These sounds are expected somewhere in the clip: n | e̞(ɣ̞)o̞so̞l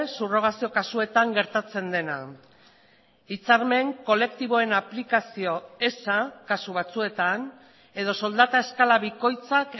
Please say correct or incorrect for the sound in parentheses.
incorrect